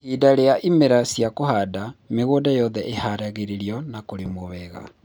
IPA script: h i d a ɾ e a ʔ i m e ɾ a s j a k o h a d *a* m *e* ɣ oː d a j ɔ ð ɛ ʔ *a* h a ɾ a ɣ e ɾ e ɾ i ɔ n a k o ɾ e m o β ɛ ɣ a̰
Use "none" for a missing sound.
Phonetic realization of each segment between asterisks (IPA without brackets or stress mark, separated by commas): a, e, e